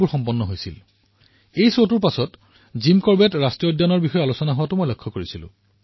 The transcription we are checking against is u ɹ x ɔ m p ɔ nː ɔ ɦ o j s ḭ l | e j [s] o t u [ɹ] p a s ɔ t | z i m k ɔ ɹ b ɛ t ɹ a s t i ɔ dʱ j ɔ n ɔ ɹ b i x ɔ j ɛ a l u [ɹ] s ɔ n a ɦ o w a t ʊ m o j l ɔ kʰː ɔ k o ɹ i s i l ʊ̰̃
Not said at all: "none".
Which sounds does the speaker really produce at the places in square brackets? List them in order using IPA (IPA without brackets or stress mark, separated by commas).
s, ɹ, none